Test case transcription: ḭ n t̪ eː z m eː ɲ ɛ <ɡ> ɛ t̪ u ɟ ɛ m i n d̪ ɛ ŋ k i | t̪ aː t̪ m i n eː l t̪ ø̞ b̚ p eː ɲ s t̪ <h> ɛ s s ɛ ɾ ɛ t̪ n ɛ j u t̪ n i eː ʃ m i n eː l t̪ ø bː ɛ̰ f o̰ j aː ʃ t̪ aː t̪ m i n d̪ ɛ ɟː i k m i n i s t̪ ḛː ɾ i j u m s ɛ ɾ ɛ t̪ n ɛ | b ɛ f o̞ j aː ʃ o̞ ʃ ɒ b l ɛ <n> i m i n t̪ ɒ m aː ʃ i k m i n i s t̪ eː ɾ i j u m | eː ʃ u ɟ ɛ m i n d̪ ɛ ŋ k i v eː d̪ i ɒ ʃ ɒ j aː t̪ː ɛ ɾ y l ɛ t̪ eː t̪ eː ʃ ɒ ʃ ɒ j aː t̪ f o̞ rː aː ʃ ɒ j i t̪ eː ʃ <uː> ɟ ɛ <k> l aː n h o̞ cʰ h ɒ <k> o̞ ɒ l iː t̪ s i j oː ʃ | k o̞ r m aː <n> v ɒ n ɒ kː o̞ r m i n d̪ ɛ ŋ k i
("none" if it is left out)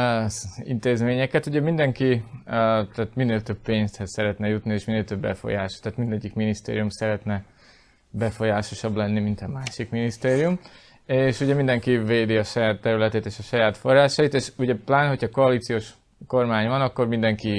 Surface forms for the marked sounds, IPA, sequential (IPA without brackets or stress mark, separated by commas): k, h, nː, u, p, k, ɲ